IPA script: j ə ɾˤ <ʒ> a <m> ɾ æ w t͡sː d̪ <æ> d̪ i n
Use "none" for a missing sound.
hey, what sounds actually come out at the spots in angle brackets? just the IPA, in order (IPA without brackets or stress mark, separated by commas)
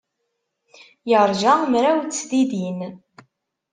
ʒ, m, i